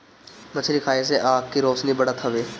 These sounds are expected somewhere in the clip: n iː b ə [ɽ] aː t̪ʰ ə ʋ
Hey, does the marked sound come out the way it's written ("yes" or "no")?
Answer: yes